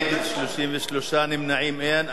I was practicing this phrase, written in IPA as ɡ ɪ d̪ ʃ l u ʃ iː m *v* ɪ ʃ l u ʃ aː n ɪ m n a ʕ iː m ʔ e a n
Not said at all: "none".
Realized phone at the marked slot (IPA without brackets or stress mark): v